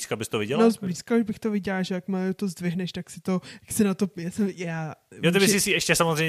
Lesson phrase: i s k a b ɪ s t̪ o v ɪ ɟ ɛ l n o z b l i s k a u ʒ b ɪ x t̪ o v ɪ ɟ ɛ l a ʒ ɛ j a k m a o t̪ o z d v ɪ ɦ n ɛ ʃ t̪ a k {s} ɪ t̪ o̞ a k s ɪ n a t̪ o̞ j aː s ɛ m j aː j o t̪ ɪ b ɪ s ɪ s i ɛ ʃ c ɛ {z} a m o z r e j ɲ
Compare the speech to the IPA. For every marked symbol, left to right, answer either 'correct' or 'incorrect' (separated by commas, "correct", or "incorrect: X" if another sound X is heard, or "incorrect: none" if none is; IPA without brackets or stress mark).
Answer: correct, incorrect: s